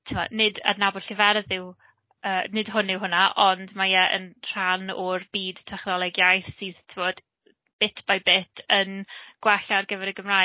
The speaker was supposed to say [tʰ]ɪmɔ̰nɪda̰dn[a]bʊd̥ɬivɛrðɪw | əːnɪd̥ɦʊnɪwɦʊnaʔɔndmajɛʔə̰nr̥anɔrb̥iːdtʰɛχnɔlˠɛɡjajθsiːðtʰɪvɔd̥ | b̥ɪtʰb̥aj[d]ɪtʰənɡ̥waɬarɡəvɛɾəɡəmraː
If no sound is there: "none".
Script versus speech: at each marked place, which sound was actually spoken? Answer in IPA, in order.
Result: tʰ, a, b

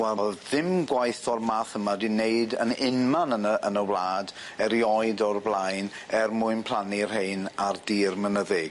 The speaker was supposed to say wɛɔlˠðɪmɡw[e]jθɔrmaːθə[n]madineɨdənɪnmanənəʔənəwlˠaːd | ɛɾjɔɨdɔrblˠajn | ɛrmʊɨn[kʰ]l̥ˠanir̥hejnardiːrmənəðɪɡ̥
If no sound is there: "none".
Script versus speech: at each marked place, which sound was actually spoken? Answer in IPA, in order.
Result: a, none, pʰ

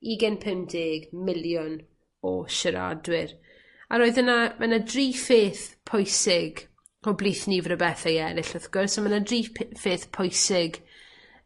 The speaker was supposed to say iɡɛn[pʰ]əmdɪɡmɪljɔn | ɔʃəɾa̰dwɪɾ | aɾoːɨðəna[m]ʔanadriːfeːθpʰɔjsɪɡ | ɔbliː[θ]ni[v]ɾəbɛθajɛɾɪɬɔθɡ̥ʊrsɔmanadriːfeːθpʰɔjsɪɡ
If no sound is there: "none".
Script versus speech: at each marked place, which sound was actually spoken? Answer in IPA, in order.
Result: pʰ, m, θ, v

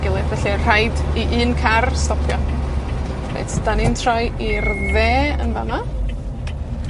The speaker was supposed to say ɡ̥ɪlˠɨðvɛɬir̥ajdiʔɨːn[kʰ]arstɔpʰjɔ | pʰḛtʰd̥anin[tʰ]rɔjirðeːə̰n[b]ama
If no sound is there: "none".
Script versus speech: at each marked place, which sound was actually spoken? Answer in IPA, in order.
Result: kʰ, tʰ, v

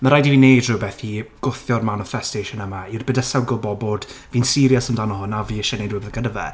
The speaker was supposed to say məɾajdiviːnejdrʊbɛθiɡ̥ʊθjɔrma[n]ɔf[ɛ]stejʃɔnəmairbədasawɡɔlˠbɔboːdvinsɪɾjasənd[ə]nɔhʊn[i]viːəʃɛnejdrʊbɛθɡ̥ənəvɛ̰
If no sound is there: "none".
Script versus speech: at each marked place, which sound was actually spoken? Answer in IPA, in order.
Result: n, ɛ, a, a

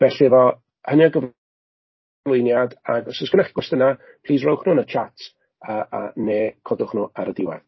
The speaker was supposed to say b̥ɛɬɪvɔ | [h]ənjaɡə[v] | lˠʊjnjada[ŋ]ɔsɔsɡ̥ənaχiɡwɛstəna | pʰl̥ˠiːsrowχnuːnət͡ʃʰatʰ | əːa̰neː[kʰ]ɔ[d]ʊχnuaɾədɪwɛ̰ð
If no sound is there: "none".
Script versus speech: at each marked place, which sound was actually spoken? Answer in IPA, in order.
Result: h, v, ɡ, kʰ, d

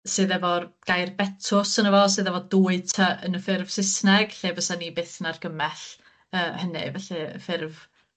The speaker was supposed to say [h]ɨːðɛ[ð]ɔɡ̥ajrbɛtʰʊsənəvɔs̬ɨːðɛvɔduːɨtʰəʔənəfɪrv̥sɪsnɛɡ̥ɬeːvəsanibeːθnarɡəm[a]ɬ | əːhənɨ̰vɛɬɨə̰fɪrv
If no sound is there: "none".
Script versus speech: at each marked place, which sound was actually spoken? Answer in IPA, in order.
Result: s, v, ɛ

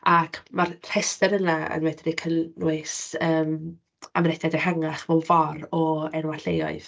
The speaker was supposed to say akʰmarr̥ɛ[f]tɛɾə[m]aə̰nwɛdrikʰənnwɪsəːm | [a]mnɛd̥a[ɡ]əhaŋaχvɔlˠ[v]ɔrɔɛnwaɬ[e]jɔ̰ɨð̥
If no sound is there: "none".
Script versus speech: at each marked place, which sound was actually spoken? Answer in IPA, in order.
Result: s, n, a, d, v, e

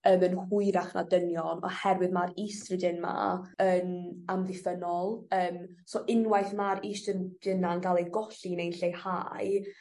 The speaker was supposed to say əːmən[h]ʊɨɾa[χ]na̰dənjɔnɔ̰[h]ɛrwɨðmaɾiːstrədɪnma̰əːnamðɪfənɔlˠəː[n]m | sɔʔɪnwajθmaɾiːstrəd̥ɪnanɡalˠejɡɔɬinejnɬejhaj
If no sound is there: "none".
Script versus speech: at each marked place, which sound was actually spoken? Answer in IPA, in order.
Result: h, χ, h, none

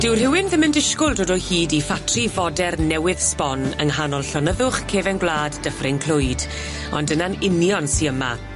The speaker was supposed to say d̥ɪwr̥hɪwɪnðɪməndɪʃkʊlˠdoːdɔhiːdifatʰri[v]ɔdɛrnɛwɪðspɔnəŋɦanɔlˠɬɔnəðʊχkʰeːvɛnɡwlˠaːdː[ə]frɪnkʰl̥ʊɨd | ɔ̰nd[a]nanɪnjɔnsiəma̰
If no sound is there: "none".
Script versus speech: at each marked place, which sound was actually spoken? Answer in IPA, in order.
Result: v, ə, ə

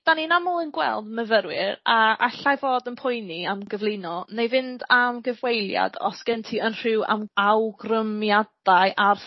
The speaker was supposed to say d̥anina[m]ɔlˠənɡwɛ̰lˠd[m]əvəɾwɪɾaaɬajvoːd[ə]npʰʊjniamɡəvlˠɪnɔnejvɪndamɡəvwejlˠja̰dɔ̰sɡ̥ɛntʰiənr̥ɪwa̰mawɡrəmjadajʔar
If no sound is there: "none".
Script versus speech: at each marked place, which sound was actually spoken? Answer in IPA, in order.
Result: m, m, ə

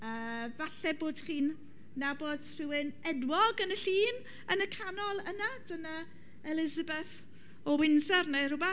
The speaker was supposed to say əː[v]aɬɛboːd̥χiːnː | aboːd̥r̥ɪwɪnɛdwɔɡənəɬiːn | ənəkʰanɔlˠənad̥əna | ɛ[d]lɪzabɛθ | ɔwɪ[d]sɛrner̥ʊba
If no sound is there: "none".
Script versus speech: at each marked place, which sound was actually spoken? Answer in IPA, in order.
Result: v, none, n

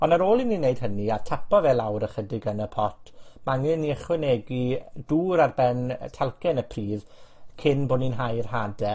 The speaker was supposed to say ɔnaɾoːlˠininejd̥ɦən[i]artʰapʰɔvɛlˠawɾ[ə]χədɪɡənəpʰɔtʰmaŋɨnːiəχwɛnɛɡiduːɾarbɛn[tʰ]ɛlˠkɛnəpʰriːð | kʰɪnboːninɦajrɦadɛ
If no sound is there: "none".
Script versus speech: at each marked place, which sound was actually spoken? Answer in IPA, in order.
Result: i, ə, tʰ

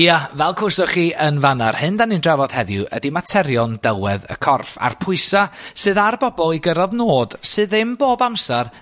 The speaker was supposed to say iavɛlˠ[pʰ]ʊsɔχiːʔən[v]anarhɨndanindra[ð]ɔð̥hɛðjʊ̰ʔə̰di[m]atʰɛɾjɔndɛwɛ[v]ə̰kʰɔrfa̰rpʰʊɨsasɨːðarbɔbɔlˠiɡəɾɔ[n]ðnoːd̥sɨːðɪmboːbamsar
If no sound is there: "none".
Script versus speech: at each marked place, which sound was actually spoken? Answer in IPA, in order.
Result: kʰ, v, v, m, ð, none

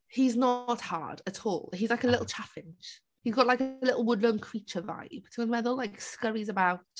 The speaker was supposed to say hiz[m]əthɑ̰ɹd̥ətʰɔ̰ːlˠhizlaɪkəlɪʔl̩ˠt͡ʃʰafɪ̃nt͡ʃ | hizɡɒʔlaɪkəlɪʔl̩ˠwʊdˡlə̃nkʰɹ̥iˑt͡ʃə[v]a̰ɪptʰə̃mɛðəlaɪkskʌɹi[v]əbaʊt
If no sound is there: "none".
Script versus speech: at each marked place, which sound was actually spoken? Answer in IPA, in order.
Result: n, v, z

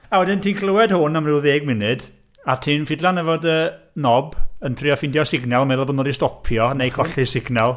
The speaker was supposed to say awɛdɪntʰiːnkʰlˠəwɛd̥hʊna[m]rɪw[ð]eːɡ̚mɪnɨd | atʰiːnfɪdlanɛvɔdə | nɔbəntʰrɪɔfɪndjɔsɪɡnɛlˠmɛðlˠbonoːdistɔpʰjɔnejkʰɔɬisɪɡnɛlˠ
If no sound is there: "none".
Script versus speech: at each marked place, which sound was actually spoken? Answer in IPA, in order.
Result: m, ð

